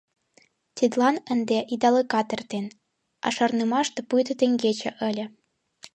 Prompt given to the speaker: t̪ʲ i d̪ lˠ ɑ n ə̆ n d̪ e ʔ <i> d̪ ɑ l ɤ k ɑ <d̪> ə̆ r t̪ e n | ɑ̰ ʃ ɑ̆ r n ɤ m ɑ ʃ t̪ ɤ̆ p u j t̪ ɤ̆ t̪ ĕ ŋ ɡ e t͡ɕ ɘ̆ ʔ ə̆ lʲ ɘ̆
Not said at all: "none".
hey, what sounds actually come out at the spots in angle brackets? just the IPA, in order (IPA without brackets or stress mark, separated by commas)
i, t̪